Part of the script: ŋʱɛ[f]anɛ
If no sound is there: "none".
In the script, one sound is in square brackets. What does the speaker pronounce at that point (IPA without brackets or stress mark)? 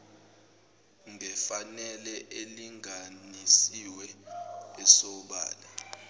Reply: f